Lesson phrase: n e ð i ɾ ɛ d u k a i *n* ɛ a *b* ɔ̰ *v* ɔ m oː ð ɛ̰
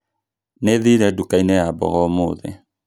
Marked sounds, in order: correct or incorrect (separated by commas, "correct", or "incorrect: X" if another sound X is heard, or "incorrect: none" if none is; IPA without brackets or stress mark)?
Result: correct, correct, incorrect: ɣ